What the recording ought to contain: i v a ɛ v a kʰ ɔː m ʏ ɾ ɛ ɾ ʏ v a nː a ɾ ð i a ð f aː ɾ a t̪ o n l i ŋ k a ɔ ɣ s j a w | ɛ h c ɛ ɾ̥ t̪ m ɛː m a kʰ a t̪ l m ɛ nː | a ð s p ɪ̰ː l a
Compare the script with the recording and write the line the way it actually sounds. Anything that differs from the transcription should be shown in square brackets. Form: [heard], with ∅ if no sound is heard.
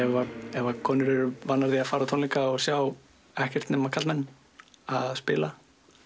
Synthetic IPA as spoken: [ɛ] v a ɛ v a kʰ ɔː [n] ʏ ɾ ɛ ɾ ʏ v a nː a ɾ ð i a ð f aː ɾ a [t̪ʰ] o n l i ŋ k a ɔ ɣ s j a w | ɛ h c ɛ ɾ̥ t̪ [n] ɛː m a kʰ a t̪ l m ɛ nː | a ð s p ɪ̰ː l a